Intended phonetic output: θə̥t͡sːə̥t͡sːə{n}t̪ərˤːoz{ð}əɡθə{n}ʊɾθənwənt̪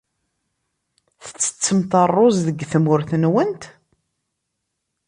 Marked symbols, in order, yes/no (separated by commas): no, yes, no